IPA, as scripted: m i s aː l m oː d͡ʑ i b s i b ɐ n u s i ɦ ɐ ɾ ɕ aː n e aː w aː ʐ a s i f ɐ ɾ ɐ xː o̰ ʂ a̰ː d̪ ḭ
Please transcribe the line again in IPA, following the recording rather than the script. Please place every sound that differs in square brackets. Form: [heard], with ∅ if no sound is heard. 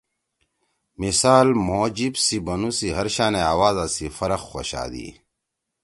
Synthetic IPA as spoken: m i s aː l m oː d͡ʑ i b s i b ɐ n u s i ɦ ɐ ɾ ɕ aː n e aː w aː [z] a s i f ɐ ɾ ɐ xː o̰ [ɕ] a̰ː d̪ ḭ